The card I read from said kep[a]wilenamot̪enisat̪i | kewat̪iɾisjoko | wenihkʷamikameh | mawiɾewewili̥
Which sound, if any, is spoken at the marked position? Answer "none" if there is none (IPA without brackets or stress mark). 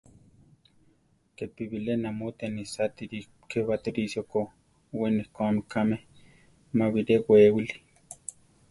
i